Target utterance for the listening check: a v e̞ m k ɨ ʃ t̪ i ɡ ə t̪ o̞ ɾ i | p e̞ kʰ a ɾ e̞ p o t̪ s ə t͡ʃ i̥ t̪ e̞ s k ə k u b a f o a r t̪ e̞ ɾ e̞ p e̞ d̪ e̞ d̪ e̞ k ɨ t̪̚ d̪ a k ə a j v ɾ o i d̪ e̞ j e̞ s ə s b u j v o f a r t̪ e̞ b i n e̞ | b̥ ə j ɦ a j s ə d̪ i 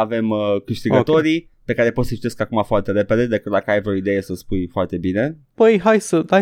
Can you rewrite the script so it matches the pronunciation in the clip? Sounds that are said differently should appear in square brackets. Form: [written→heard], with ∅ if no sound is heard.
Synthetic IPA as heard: a v e̞ m k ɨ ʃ t̪ i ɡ ə t̪ o̞ ɾ i | p e̞ [kʰ→k] a ɾ e̞ p o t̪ s ə t͡ʃ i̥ t̪ e̞ s k [ə→a] k u [b→m] a f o a r t̪ e̞ ɾ e̞ p e̞ d̪ e̞ d̪ e̞ k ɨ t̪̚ d̪ a k ə a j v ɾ o i d̪ e̞ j e̞ s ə s [b→p] u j [v→f] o [f→∅] a r t̪ e̞ b i n e̞ | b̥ ə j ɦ a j s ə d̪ [i→a]